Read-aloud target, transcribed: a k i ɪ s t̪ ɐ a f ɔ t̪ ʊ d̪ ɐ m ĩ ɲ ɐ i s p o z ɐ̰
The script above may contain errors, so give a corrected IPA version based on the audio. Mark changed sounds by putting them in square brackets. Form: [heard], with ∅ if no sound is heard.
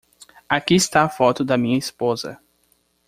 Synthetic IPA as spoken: a k i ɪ s t̪ [a] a f ɔ t̪ ʊ d̪ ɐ m ĩ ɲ ɐ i s p o z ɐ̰